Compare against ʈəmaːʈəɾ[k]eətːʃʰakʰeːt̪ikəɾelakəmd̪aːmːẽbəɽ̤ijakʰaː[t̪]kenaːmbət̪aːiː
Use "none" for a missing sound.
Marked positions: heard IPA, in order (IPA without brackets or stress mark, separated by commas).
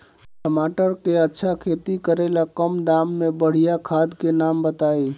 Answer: k, d̪